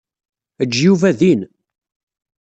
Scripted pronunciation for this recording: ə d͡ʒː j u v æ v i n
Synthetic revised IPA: ə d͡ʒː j u v æ ð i n

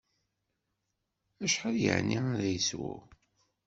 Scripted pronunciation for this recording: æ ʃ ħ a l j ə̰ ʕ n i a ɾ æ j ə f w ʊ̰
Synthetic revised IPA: æ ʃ ħ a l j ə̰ ʕ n i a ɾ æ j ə s w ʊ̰

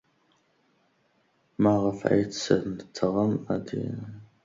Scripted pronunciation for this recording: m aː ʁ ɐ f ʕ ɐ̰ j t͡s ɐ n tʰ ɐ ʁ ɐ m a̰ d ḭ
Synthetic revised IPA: m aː ʁ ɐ f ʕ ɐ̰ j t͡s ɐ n tʰ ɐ ʁ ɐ m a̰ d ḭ

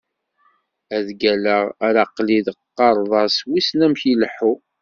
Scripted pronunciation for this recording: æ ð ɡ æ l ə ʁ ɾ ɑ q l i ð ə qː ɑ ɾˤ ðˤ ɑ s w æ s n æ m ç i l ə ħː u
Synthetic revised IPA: æ ð ɡ æ l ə ʁ ɾ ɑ q l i ð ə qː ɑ ɾˤ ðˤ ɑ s w i s n æ m ç i l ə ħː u

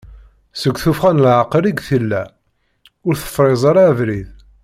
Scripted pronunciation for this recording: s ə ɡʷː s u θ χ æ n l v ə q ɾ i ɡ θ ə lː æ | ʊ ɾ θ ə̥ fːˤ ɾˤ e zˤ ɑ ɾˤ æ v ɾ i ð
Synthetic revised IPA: s ə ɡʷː θ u f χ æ n l ʕ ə q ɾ i ɡ θ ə lː æ | ʊ ɾ θ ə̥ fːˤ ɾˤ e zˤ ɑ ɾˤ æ v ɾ i ð

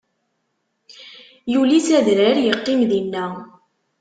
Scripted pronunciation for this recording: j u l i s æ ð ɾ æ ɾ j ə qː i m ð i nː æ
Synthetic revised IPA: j u l i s æ ð ɾ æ ɾ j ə qː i m ð i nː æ

